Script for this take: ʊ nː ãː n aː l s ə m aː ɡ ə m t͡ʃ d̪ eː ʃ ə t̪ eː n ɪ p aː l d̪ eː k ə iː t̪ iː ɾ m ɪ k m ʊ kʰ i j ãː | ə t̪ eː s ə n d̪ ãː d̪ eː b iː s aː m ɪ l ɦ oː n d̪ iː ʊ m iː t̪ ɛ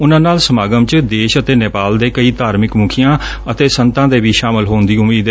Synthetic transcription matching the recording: ʊ n ãː n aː l s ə m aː ɡ ə m t͡ʃ d̪ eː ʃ ə t̪ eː n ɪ p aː l d̪ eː k ə iː t̪ aː ɾ m ɪ k m ʊ kʰ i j ãː | ə t̪ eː s ə n t̪ ãː d̪ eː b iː ʃ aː m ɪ l ɦ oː n d̪ iː ʊ m iː d̪ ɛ

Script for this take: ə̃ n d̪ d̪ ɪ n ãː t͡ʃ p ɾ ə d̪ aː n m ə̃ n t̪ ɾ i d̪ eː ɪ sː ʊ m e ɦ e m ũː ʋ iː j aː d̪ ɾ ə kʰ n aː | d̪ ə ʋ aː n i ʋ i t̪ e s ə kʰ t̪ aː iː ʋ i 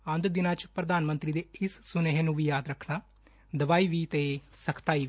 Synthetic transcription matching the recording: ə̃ n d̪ d̪ ɪ n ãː t͡ʃ p ɾ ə d̪ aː n m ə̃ n t̪ ɾ i d̪ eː ɪ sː ʊ n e ɦ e n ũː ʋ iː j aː d̪ ɾ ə kʰ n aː | d̪ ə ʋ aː i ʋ i t̪ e s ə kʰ t̪ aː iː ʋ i

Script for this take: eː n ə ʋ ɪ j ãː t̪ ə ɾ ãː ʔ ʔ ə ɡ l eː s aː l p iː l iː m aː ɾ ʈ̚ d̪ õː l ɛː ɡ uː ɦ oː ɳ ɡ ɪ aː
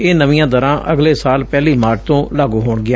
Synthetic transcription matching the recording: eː n ə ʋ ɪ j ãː d̪ ə ɾ ãː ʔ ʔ ə ɡ l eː s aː l p ɛː l iː m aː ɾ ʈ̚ t̪ õː l aː ɡ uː ɦ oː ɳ ɡ ɪ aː

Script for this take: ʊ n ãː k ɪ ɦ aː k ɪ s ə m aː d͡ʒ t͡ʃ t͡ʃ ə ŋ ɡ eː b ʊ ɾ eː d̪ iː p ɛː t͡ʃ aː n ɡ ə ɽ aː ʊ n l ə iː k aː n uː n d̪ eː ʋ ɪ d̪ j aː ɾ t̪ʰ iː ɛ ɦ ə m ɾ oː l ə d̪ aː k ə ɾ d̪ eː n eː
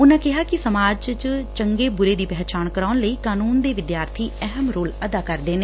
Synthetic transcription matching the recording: ʊ n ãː k ɪ ɦ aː k ɪ s ə m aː d͡ʒ t͡ʃ t͡ʃ ə ŋ ɡ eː b ʊ ɾ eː d̪ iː p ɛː t͡ʃ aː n k ə ɾ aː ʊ n l ə iː k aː n uː n d̪ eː ʋ ɪ d̪ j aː ɾ t̪ʰ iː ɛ ɦ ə m ɾ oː l ə d̪ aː k ə ɾ d̪ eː n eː

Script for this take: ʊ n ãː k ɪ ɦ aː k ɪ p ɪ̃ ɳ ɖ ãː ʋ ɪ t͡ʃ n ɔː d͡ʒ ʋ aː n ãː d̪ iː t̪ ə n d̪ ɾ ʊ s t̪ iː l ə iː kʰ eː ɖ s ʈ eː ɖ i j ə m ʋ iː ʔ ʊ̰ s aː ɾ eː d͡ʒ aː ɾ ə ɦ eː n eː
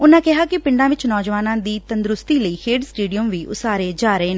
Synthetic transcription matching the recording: ʊ n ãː k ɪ ɦ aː k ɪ p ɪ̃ ɳ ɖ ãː ʋ ɪ t͡ʃ n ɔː d͡ʒ ʋ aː n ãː d̪ iː t̪ ə n d̪ ɾ ʊ s t̪ iː l ə iː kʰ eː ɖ s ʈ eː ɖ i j ə m ʋ iː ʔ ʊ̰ s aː ɾ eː d͡ʒ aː ɾ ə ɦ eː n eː

